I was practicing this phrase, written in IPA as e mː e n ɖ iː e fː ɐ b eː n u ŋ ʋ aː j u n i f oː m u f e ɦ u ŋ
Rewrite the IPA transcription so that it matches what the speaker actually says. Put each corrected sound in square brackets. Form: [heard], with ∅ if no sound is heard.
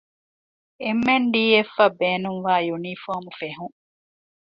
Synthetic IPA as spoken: e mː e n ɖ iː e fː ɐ b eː n u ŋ ʋ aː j u n i f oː m u f e ɦ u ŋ